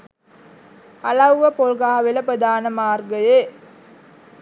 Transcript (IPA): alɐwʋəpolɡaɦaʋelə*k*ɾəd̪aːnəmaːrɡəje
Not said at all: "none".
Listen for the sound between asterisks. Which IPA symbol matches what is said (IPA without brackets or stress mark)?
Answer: p